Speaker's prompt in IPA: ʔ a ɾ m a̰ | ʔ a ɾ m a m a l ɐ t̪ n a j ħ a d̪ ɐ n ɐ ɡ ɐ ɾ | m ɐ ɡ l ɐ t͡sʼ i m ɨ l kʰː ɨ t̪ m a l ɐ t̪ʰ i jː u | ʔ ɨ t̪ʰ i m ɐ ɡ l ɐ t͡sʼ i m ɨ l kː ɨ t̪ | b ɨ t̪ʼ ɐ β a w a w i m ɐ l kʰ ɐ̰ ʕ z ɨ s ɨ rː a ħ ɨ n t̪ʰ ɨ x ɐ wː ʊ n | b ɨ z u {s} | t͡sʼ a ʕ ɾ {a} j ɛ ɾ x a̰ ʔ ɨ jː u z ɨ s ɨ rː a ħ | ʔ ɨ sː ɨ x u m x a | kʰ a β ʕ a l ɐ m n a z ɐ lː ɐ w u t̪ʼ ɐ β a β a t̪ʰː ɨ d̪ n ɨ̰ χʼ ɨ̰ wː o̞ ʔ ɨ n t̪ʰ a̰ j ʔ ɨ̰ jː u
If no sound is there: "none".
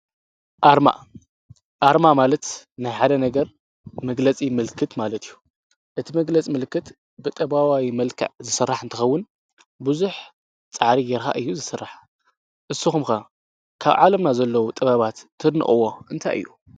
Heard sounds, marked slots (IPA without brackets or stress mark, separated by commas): ħ, i